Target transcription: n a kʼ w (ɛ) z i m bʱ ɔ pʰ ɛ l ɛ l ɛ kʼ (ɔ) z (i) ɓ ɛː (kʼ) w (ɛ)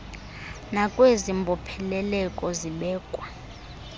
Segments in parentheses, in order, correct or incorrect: incorrect: e, correct, correct, correct, incorrect: a

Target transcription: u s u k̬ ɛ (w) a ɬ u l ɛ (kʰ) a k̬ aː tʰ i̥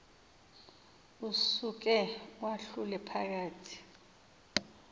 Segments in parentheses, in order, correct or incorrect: correct, incorrect: pʰ

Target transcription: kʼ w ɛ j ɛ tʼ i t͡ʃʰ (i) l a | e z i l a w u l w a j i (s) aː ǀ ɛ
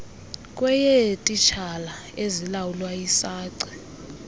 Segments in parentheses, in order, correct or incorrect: incorrect: a, correct

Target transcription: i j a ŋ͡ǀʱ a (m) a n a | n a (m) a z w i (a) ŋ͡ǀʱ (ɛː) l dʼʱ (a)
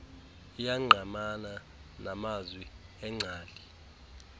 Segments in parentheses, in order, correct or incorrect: correct, correct, incorrect: ɛ, incorrect: aː, incorrect: i

